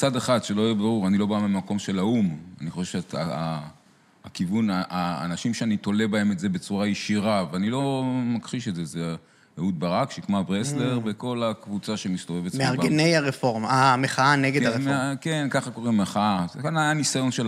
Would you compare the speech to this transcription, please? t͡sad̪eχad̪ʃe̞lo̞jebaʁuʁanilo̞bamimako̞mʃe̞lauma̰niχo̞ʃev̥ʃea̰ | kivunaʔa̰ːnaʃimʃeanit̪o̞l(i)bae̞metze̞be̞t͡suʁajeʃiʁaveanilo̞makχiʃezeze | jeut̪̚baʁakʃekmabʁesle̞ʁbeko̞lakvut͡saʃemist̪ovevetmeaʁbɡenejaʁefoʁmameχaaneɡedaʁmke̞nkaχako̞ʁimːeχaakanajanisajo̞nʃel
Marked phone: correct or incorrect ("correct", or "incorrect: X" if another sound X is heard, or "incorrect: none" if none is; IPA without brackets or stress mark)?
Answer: incorrect: e